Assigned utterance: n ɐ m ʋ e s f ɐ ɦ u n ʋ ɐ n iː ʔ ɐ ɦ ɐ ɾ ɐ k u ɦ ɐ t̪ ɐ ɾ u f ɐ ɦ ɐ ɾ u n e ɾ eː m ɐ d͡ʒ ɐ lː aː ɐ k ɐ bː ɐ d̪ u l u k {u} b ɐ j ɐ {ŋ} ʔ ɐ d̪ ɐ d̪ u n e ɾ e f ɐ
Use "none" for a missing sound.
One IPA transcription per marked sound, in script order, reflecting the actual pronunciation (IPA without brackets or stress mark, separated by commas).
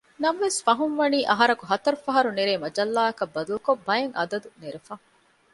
o, ŋ